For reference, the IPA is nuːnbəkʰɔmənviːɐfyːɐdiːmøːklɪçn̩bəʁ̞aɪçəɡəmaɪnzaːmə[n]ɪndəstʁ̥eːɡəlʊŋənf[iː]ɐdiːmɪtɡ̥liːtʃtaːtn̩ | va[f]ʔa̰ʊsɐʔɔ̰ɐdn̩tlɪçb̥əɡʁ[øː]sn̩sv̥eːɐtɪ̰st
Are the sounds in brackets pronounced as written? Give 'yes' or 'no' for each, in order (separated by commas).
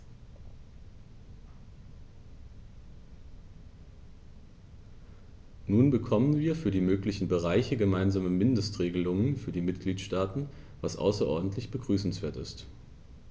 no, no, no, no